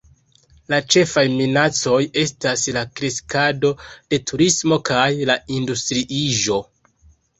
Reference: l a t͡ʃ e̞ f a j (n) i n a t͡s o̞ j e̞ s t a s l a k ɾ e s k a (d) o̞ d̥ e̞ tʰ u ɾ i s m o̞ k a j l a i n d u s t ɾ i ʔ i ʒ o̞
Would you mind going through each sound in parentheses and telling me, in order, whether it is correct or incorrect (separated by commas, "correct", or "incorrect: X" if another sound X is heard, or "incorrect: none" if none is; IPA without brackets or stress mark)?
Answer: incorrect: m, correct